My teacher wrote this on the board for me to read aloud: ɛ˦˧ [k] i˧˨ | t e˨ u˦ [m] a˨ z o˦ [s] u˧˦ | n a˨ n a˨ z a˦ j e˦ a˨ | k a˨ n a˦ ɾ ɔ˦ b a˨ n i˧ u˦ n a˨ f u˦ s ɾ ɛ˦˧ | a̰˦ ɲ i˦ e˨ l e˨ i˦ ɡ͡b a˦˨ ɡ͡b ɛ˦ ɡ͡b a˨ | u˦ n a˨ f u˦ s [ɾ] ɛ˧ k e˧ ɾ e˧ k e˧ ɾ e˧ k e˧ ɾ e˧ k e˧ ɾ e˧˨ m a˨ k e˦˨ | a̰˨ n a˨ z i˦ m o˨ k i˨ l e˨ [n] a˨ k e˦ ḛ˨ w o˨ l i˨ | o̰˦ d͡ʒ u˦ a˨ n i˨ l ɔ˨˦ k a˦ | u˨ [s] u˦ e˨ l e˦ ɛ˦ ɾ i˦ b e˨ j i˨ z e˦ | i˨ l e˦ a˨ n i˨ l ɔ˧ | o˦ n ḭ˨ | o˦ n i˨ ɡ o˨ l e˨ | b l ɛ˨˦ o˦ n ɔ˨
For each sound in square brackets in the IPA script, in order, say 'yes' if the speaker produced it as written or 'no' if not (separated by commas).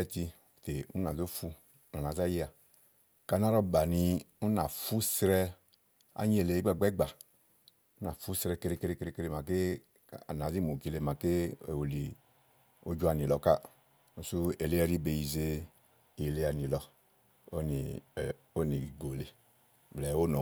no, no, no, yes, no, yes